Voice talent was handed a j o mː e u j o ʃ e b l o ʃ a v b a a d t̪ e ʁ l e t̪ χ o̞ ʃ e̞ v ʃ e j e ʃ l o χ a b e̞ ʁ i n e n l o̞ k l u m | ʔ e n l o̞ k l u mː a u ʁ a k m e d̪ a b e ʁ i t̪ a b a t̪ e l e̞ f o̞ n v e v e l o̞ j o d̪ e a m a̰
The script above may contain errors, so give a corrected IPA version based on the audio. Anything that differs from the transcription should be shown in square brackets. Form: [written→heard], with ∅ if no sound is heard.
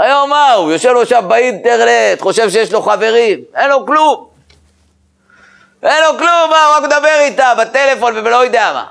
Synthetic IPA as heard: a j o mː [e→a] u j o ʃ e [b→v] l o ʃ a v b a [a→i] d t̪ e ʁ l e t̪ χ o̞ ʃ e̞ v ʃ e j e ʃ l o χ a [b→v] e̞ ʁ i [n→m] e n l o̞ k l u m | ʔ e n l o̞ k l u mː a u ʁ a k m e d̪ a b e ʁ i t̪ a b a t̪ e l e̞ f o̞ n v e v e l o̞ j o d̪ e a m a̰